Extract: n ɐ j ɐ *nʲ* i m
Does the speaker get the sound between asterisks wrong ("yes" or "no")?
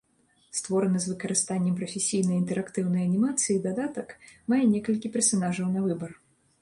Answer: no